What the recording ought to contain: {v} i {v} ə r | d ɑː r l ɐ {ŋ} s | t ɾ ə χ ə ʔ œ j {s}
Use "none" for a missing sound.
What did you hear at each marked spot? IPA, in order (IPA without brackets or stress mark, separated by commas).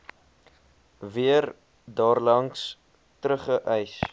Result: v, none, ŋ, s